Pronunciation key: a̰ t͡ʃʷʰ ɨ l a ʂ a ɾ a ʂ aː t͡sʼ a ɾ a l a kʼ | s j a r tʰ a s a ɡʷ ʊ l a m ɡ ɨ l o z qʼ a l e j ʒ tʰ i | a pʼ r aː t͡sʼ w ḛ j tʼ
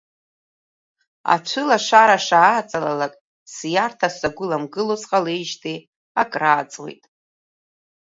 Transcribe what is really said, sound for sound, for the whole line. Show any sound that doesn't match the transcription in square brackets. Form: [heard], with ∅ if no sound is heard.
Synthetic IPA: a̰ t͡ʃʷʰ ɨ l a ʂ a ɾ a ʂ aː t͡sʼ a [l] a l a kʼ | s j a r tʰ a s a ɡʷ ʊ l a m ɡ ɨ l o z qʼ a l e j ʒ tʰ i | a [kʼ] r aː t͡sʼ w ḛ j tʼ